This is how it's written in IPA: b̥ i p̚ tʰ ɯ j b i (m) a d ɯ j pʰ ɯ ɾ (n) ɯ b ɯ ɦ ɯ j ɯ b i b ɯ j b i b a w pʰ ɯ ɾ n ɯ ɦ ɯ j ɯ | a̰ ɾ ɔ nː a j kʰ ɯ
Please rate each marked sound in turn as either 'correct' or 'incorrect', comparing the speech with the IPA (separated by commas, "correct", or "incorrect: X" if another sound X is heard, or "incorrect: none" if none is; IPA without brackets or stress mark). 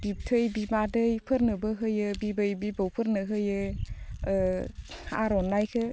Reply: incorrect: b, correct